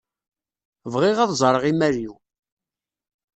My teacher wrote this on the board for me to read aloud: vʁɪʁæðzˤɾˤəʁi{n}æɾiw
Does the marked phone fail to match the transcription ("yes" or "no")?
yes